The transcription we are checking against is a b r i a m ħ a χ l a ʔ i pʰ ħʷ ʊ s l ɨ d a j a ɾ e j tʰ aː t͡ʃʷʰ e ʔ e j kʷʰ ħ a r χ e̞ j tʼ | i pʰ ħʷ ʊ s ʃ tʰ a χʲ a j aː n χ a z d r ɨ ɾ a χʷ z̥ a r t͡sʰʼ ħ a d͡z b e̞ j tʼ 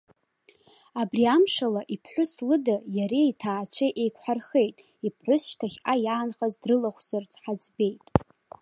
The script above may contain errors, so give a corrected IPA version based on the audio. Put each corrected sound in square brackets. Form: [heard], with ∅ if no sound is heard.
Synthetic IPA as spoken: a b r i a m [ʂ] a [∅] l a ʔ i pʰ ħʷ ʊ s l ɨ d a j a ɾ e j tʰ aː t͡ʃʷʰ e ʔ e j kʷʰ ħ a r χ e̞ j tʼ | i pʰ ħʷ ʊ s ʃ tʰ a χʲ a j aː n χ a z d r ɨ [l] a χʷ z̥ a r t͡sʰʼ ħ a d͡z b e̞ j tʼ